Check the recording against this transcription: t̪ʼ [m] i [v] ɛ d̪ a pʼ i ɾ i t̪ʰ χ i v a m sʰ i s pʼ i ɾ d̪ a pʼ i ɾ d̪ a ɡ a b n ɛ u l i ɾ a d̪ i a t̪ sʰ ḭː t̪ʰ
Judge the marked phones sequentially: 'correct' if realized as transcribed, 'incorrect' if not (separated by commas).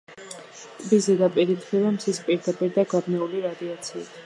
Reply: incorrect, incorrect